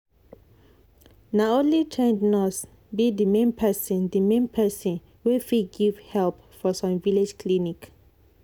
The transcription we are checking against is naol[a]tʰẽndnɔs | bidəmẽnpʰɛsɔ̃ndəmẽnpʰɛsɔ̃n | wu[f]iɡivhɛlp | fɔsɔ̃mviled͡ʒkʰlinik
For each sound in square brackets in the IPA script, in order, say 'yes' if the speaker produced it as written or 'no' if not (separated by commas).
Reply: no, yes